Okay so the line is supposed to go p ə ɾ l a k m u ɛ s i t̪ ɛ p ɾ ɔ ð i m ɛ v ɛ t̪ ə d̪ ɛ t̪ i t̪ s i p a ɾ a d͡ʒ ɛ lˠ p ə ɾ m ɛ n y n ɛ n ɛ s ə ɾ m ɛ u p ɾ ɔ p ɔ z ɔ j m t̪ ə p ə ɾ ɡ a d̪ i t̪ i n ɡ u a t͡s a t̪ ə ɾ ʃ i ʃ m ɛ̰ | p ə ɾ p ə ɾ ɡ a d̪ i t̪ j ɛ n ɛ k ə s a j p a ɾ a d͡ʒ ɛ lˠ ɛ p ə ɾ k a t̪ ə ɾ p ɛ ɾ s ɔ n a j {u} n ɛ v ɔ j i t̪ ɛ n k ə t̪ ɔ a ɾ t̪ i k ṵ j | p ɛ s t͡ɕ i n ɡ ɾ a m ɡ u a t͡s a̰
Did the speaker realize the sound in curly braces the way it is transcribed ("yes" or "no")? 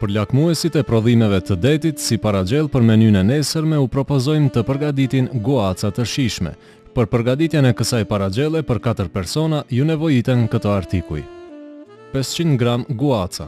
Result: yes